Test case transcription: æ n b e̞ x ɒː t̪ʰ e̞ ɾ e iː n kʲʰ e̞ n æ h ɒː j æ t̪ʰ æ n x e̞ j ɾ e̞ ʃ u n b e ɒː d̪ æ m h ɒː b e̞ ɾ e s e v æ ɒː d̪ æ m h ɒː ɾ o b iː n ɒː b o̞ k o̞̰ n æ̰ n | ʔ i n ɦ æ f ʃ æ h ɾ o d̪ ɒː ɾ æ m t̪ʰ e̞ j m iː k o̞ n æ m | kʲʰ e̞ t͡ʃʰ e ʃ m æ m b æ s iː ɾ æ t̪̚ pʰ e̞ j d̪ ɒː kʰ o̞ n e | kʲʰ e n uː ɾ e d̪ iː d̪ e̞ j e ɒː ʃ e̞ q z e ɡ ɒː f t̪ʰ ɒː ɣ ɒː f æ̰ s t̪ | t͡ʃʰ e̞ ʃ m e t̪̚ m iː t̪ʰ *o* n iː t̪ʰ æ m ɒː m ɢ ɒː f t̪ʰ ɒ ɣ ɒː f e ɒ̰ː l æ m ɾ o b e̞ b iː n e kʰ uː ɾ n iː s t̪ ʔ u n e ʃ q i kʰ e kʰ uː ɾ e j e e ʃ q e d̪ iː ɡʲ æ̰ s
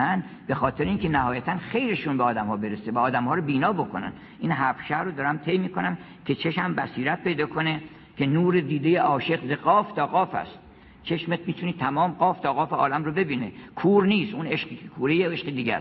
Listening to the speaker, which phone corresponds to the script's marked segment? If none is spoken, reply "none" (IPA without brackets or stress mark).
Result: u